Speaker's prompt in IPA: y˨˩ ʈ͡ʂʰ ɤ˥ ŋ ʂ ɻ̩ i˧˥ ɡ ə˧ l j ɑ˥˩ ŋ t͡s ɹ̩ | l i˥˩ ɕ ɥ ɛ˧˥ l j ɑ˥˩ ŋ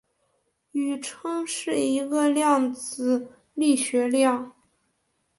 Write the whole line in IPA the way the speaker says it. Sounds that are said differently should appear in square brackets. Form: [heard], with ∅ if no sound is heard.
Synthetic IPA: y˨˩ ʈ͡ʂʰ ɤ˥ ŋ ʂ ɻ̩ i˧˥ ɡ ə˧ l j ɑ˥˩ ŋ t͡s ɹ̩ | l i˥˩ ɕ ɥ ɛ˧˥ l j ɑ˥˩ ŋ